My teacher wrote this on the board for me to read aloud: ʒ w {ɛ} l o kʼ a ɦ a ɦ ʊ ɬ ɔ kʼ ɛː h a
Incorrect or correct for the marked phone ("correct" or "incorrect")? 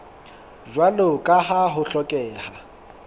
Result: incorrect